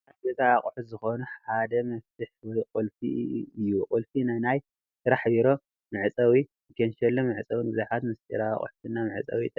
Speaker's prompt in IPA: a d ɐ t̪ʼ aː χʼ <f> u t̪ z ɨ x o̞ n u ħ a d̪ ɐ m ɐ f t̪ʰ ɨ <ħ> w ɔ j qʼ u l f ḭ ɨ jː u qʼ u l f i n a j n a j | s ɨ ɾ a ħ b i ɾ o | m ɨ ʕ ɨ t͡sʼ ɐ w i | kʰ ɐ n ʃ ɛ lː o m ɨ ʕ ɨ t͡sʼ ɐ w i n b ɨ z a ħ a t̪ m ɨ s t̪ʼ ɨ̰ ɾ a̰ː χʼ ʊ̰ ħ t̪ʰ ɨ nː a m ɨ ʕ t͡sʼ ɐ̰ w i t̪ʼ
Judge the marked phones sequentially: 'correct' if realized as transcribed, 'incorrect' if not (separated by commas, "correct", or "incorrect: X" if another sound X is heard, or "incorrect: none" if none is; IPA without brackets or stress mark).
incorrect: ħ, correct